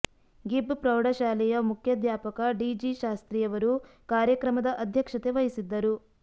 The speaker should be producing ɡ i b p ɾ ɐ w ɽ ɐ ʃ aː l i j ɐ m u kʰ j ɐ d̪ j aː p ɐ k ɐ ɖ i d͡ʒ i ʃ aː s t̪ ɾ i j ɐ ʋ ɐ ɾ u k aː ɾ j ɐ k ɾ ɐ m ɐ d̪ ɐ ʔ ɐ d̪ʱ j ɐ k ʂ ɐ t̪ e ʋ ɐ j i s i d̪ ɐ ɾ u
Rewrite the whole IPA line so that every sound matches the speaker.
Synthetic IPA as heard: ɡ i b p ɾ ɐ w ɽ ɐ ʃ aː l ɛ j ɐ m u kʰ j ɐ d̪ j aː p ɐ k ɐ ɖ i d͡ʒ i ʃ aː s t̪ ɾ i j ɐ ʋ ɐ ɾ u k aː ɾ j ɐ k ɾ ɐ m ɐ d̪ ɐ ʔ ɐ d̪ʱ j ɐ k ʂ ɐ t̪ e ʋ ɐ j i s i d̪ː ɐ ɾ u